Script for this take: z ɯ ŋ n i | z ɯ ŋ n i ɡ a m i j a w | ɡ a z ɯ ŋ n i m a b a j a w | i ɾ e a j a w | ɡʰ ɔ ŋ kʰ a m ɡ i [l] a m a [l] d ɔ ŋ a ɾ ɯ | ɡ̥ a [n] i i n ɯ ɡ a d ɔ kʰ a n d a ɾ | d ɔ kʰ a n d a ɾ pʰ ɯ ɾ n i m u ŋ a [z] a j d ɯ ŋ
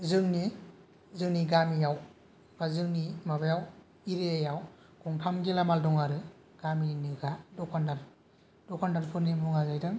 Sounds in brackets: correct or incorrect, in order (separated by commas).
correct, correct, incorrect, correct